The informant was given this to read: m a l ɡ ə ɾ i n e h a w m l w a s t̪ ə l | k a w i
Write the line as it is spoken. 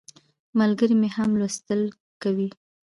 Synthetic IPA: m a l ɡ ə ɾ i m e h a m l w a s t̪ ə l | k a w i